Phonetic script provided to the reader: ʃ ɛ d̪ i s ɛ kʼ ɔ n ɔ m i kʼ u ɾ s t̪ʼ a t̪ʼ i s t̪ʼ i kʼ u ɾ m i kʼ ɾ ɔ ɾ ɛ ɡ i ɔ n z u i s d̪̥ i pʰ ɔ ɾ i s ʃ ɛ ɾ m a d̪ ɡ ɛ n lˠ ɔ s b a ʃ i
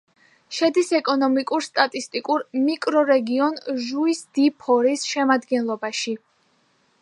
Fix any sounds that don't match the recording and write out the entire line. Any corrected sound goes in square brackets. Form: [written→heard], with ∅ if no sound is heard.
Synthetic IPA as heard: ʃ ɛ d̪ i s ɛ kʼ ɔ n ɔ m i kʼ u ɾ s t̪ʼ a t̪ʼ i s t̪ʼ i kʼ u ɾ m i kʼ ɾ ɔ ɾ ɛ ɡ i ɔ n [z→ʒ] u i s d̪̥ i pʰ ɔ ɾ i s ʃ ɛ [ɾ→∅] m a d̪ ɡ ɛ n lˠ ɔ [s→∅] b a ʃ i